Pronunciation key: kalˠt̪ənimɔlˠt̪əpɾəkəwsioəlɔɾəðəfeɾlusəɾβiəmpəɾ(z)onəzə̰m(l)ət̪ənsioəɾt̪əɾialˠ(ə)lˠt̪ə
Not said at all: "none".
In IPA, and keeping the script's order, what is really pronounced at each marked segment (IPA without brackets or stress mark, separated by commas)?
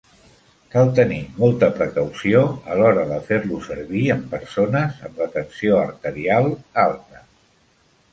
s, l, a